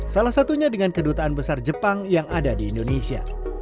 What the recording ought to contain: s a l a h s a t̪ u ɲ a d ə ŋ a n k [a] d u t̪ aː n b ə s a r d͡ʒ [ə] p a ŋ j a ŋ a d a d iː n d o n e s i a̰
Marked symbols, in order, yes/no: no, yes

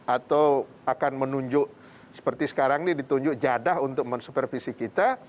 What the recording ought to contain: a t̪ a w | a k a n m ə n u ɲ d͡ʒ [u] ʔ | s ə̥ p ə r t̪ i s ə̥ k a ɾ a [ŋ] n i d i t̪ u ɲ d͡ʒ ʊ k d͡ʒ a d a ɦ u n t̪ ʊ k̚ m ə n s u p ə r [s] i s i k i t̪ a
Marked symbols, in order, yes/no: no, yes, no

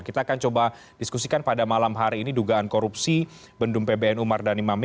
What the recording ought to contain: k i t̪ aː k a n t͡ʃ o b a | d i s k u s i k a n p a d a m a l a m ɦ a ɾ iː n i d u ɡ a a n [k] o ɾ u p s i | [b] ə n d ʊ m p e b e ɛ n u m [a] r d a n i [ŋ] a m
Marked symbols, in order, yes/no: yes, yes, yes, no

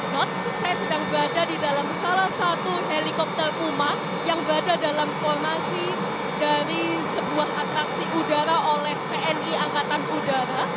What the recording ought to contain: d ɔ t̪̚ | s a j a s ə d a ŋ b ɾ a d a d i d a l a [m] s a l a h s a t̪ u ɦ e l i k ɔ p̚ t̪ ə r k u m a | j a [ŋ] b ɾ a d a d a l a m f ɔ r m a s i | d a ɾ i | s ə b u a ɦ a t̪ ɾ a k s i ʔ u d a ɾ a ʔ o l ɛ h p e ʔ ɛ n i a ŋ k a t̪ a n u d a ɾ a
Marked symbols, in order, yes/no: yes, yes

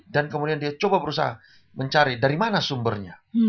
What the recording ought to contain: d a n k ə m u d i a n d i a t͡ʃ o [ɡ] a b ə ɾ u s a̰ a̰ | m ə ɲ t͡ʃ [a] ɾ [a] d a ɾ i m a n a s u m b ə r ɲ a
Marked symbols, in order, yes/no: no, yes, no

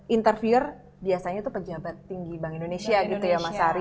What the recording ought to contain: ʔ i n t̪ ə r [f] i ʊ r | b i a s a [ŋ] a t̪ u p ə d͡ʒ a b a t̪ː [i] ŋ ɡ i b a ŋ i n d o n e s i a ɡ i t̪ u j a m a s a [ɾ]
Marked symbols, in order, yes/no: yes, no, yes, yes

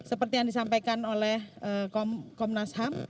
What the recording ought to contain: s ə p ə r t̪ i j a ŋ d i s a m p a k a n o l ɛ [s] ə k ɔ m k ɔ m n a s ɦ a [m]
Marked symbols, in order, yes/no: no, yes

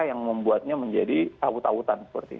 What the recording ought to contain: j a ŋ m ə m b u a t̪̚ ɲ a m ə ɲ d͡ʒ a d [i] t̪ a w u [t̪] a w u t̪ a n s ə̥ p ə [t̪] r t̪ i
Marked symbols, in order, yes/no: yes, yes, no

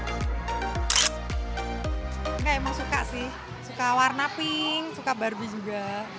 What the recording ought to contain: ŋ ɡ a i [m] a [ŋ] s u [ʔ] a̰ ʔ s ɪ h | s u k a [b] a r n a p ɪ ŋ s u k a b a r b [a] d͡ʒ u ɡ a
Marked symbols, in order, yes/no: yes, yes, no, no, no

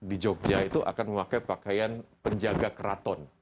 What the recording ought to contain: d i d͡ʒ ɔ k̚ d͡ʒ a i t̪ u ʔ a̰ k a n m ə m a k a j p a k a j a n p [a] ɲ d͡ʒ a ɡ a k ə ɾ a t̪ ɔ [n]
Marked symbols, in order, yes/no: no, yes

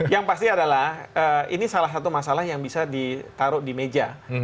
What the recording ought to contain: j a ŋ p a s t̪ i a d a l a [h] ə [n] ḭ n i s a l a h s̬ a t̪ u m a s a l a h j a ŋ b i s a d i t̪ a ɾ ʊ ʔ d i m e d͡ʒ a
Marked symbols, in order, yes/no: yes, no

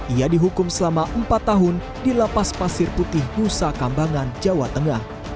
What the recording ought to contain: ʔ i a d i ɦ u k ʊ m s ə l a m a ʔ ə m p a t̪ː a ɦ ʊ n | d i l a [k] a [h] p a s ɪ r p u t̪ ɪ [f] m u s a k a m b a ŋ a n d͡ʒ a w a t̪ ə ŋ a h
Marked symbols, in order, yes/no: no, no, no

